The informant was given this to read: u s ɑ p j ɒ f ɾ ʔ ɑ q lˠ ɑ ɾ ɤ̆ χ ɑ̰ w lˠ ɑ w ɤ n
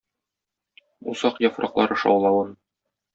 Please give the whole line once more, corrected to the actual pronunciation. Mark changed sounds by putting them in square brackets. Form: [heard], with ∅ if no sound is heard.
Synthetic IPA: u s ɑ [q] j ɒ f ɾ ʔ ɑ q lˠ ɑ ɾ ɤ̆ [ʃ] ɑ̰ w lˠ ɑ w ɤ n